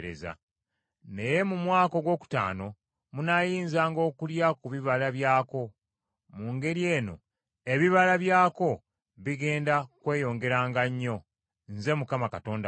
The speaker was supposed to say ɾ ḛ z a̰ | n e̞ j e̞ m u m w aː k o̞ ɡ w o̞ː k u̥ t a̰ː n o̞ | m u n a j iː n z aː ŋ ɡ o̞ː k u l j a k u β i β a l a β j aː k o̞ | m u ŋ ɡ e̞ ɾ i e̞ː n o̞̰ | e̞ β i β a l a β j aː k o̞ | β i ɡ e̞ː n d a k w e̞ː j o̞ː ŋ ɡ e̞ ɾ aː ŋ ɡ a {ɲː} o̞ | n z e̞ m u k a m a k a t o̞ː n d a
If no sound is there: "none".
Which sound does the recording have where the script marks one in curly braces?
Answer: ɲː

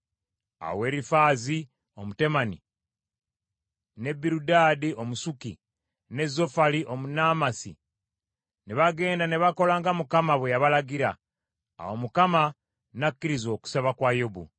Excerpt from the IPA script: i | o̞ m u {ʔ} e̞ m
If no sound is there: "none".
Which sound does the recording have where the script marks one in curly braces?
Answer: t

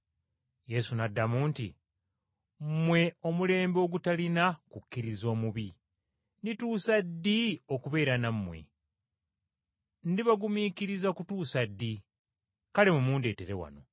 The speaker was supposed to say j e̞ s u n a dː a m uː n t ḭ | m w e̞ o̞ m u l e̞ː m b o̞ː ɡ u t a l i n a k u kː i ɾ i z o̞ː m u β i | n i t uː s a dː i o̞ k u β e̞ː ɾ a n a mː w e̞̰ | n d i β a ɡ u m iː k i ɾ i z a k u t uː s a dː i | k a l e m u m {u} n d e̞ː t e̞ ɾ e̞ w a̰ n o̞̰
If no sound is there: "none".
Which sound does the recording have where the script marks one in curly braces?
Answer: uː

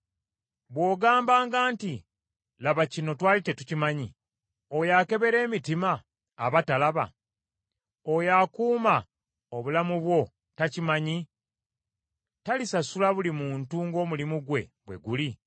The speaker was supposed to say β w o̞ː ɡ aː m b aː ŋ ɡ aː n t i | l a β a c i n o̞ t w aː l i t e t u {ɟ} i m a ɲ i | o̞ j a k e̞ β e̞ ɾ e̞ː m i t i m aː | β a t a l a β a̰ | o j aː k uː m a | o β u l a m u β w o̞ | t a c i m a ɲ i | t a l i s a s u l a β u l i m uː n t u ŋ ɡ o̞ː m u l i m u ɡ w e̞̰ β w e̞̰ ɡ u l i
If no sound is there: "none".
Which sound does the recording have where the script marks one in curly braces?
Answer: c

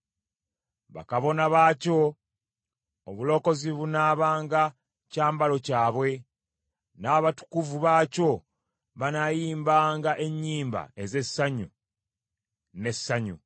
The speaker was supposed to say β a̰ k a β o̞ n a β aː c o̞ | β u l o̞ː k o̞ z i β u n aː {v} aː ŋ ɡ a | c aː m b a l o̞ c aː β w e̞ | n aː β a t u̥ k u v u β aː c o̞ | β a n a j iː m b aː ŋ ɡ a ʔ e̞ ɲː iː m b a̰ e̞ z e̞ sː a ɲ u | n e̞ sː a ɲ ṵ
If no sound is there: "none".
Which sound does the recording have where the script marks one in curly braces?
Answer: β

